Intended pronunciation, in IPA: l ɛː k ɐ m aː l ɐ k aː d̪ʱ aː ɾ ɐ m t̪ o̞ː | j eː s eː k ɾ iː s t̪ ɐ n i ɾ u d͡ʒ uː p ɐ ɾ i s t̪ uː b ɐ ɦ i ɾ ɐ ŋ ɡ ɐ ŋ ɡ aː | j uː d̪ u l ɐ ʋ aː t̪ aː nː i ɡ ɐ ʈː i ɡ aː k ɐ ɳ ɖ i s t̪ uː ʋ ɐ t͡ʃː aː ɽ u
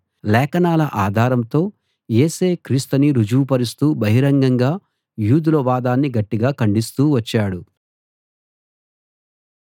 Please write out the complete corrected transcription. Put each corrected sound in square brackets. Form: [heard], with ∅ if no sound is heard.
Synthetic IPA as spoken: l ɛː k ɐ [n] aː l ɐ [ʔ] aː d̪ʱ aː ɾ ɐ m t̪ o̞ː | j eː s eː k ɾ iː s t̪ ɐ n i ɾ u d͡ʒ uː p ɐ ɾ i s t̪ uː b ɐ ɦ i ɾ ɐ ŋ ɡ ɐ ŋ ɡ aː | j uː d̪ u l ɐ ʋ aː [d̪] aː nː i ɡ ɐ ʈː i ɡ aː k ɐ ɳ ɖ i s t̪ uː ʋ ɐ t͡ʃː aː ɽ u